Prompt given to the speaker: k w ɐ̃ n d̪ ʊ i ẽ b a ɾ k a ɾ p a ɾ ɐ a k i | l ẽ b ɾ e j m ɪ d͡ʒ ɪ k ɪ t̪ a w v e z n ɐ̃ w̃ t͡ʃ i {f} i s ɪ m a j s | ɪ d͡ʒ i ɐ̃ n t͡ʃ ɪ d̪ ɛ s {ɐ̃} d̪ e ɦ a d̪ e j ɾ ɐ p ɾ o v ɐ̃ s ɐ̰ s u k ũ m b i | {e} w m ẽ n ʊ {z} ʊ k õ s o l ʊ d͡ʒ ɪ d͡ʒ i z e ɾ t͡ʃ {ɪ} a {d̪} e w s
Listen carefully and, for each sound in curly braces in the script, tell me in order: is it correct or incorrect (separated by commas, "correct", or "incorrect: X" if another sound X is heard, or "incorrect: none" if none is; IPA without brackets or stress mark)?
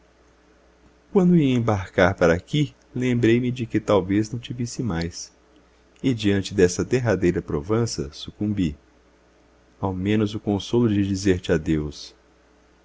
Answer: incorrect: v, incorrect: ɐ, incorrect: a, correct, correct, correct